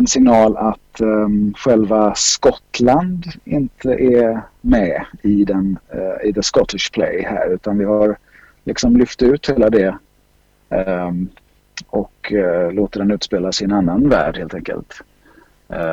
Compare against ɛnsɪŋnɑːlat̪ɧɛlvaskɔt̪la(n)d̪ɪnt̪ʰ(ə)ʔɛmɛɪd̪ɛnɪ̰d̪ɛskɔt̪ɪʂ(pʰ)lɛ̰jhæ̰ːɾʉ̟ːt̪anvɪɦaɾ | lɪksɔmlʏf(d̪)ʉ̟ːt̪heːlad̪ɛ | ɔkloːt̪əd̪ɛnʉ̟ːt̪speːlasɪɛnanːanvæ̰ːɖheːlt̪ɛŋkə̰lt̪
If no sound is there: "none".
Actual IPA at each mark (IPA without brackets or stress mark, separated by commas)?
n, ə, pʰ, t̪